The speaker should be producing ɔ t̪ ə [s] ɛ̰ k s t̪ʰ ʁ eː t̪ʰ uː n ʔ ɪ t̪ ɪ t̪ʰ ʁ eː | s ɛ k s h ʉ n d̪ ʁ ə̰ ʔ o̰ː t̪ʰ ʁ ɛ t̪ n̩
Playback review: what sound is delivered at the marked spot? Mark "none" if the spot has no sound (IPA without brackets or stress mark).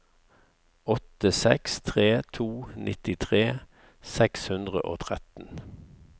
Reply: s